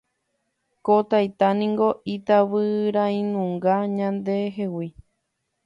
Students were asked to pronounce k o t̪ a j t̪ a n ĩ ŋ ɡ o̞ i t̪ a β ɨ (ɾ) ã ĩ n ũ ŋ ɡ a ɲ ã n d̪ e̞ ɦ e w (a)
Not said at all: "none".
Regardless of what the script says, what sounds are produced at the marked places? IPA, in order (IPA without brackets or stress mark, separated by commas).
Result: ɾ, i